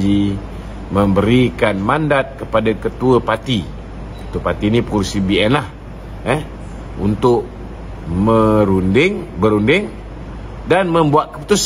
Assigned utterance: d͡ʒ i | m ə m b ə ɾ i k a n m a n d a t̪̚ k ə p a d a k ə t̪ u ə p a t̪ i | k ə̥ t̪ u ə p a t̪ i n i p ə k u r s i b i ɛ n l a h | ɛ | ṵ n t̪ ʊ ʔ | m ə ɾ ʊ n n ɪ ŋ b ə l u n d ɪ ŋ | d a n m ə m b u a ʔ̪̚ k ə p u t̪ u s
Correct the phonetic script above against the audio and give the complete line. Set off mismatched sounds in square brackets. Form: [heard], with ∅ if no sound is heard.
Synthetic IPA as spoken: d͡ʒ i | m ə m b ə ɾ i k a n m a n d a t̪̚ k ə p a d a k ə t̪ u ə p a t̪ i | k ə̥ t̪ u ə p a t̪ i n i p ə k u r s i b i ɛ n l a h | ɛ | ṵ n t̪ ʊ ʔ | m ə ɾ [u] n [d] ɪ ŋ b ə [ɾ] u n d ɪ ŋ | d a n m ə m b u a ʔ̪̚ k ə p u t̪ u s